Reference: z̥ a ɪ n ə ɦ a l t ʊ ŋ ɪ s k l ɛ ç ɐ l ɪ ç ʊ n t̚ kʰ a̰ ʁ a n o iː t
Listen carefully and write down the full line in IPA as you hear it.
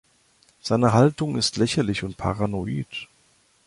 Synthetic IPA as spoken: z̥ a ɪ n ə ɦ a l t ʊ ŋ ɪ s t l ɛ ç ɐ l ɪ ç ʊ n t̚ pʰ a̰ ʁ a n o iː t